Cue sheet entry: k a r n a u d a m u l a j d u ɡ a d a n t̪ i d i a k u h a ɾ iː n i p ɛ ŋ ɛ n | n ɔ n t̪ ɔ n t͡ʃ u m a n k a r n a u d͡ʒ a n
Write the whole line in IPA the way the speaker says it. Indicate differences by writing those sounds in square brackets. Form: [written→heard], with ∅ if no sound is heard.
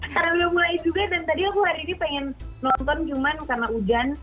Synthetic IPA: k a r n a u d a m u l a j [d→d͡ʒ] u ɡ a d a n t̪ [i→a] d i a k u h a ɾ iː n i p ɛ ŋ ɛ n | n ɔ n t̪ ɔ n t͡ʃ u m a n k a r n a u d͡ʒ a n